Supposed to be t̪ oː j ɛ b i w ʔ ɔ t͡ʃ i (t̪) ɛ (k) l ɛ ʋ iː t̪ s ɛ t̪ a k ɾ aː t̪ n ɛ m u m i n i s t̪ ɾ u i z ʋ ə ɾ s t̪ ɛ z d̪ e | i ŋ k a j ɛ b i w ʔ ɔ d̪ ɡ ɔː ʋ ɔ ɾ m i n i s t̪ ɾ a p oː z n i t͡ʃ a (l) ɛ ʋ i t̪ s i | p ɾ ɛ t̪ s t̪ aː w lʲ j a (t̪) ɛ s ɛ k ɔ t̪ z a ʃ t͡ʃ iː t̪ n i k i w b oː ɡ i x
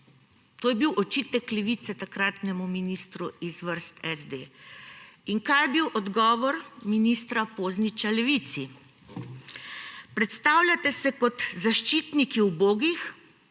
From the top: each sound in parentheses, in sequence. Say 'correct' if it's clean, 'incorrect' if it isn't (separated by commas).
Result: correct, correct, correct, correct